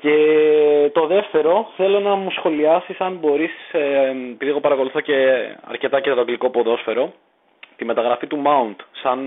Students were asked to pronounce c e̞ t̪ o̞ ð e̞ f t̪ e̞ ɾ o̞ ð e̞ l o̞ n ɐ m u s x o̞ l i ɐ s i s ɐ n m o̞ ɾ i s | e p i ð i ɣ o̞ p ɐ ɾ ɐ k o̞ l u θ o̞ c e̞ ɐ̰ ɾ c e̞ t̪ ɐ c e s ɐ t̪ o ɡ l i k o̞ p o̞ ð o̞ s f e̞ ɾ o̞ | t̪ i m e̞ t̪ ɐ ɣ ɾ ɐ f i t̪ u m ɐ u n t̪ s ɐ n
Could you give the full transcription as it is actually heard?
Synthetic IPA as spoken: c e̞ t̪ o̞ ð e̞ f t̪ e̞ ɾ o̞ θ e̞ l o̞ n ɐ m u s x o̞ l i ɐ s i s ɐ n b o̞ ɾ i s | e p i ð i ɣ o̞ p ɐ ɾ ɐ k o̞ l u θ o̞ c e̞ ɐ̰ ɾ c e̞ t̪ ɐ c e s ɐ t̪ o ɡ l i k o̞ p o̞ ð o̞ s f e̞ ɾ o̞ | t̪ i m e̞ t̪ ɐ ɣ ɾ ɐ f i t̪ u m ɐ u n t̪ s ɐ n